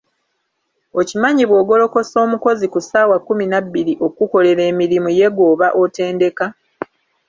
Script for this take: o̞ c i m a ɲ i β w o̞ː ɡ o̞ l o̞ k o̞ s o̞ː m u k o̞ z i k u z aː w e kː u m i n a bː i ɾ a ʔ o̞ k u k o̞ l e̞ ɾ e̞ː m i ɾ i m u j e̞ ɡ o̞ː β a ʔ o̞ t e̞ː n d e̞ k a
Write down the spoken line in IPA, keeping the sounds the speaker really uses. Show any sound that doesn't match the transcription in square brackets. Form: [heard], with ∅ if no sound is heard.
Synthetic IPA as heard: o̞ c i m a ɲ i β w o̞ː ɡ o̞ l o̞ k o̞ s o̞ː m u k o̞ z i k u [s] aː w [a] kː u m i n a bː i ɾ [i] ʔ o̞ k u k o̞ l e̞ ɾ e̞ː m i ɾ i m u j e̞ ɡ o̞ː β a ʔ o̞ t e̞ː n d e̞ k a